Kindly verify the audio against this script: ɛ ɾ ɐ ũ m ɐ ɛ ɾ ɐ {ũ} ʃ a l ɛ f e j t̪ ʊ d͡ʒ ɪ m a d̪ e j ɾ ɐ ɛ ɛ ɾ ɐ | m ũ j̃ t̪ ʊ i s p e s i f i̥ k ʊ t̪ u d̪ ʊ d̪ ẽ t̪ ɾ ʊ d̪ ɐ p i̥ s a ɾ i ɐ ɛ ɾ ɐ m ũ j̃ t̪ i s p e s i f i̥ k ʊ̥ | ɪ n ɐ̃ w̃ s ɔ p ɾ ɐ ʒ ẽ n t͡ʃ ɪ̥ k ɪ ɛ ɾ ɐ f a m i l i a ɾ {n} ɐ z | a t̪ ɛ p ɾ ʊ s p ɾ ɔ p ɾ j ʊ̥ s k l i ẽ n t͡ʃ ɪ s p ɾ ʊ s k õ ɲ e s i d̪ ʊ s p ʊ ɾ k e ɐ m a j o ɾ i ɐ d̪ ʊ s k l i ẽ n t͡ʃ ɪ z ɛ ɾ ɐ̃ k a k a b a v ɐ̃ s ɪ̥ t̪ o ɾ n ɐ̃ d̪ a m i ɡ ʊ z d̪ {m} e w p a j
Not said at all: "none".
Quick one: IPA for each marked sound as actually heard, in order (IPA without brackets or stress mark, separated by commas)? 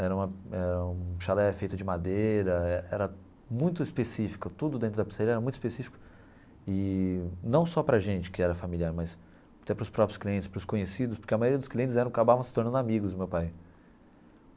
ũ, m, m